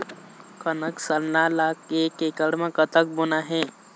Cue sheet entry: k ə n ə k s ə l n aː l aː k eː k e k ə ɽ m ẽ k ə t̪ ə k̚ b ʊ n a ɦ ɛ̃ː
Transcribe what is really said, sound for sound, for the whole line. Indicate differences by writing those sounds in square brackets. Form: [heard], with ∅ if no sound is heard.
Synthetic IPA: k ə n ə k s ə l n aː l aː k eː k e k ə ɽ m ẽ k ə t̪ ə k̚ b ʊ n a ɦ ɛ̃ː